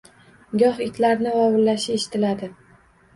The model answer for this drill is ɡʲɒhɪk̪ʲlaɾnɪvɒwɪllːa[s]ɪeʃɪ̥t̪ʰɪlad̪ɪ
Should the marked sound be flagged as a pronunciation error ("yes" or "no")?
yes